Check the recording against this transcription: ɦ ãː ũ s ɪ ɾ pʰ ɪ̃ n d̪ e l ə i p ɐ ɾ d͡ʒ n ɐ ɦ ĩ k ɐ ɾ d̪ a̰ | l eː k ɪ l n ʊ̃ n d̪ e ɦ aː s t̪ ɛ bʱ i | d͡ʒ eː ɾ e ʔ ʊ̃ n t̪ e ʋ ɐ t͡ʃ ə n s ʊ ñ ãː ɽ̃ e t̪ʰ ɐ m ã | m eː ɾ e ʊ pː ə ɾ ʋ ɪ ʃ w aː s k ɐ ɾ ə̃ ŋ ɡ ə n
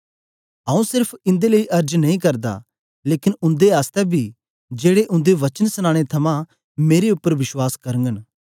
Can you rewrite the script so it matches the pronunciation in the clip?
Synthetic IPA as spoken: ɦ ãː ũ s ɪ ɾ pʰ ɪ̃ n d̪ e l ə i ʔ ɐ ɾ d͡ʒ n ɐ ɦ ĩ k ɐ ɾ d̪ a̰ | l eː k ɪ n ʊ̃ n d̪ e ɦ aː s t̪ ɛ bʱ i | d͡ʒ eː ɽ e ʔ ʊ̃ n d̪ e ʋ ɐ t͡ʃ ə n s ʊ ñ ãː ɽ̃ e t̪ʰ ɐ m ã | m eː ɾ e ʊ pː ə ɾ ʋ ɪ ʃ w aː s k ɐ ɾ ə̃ ŋ ɡ ə n